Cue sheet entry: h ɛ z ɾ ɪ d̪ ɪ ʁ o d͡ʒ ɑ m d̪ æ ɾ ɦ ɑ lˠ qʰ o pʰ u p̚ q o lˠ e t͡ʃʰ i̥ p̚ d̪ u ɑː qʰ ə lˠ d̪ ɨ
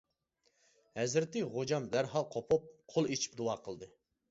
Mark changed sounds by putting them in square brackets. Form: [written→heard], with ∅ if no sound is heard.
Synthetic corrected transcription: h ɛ z ɾ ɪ [d̪→t̪] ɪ ʁ o d͡ʒ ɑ m d̪ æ ɾ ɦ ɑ lˠ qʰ o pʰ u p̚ [q→qʰ] o lˠ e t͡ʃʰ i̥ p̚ d̪ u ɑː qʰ ə lˠ d̪ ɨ